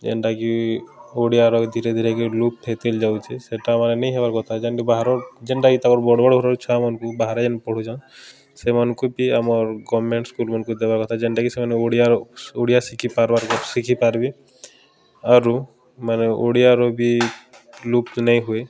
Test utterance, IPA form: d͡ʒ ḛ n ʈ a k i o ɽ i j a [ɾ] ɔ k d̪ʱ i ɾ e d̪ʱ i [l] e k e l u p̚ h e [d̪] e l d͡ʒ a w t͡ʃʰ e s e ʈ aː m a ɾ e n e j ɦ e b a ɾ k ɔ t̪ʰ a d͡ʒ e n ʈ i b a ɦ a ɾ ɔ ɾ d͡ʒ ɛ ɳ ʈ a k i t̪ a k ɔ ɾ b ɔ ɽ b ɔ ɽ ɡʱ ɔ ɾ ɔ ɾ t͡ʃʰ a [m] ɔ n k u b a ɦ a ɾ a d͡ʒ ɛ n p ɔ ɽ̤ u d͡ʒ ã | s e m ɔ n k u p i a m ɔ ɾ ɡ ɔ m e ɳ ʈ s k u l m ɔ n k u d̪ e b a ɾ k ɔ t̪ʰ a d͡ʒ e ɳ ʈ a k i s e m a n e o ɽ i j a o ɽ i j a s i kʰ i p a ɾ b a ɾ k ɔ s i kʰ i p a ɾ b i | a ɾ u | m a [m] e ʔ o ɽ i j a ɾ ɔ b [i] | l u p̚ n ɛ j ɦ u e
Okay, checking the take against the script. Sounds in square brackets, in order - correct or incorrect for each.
correct, incorrect: ɾ, incorrect: t̪, correct, incorrect: n, correct

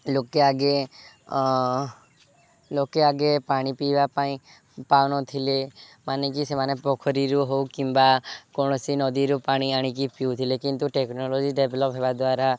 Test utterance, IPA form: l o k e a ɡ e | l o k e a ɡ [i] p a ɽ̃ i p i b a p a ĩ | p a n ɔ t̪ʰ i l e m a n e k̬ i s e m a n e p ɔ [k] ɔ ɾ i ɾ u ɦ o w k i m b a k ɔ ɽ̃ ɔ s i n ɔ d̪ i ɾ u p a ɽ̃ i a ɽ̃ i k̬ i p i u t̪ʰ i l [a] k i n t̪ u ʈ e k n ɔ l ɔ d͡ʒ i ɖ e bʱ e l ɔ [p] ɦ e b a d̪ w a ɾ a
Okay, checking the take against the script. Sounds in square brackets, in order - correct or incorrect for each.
incorrect: e, incorrect: kʰ, incorrect: e, correct

